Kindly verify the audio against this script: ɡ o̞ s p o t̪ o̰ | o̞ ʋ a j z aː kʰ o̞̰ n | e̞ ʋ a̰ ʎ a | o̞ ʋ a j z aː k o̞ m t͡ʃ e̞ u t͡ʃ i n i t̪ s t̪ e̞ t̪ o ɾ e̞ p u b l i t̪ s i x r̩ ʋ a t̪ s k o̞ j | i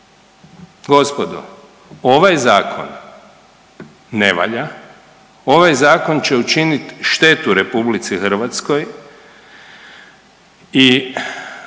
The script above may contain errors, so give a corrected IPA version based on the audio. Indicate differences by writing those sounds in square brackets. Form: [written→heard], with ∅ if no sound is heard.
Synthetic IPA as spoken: ɡ o̞ s p o [t̪→d̪] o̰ | o̞ ʋ a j z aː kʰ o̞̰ n | e̞ ʋ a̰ ʎ a | o̞ ʋ a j z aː k o̞ [m→n] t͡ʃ e̞ u t͡ʃ i n i t̪ [s→ʃ] t̪ e̞ t̪ [o→u] ɾ e̞ p u b l i t̪ s i x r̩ ʋ a t̪ s k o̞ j | i